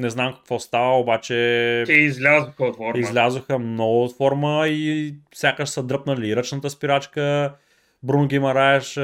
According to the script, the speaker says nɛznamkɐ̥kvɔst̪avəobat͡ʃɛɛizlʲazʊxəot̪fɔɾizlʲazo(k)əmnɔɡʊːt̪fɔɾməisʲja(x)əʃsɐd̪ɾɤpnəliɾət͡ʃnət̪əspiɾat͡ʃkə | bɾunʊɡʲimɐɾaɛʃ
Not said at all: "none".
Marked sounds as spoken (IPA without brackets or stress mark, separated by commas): x, k